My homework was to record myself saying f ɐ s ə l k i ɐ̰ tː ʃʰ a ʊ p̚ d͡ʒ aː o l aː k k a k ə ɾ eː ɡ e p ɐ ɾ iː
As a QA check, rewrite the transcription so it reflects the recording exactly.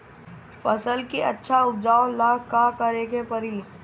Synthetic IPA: f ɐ s ə l k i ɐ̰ tː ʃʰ a ʊ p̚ d͡ʒ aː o l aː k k a k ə ɾ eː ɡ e p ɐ ɾ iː